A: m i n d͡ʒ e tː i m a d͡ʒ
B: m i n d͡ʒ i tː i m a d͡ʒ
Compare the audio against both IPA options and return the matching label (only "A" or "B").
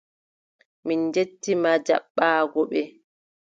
A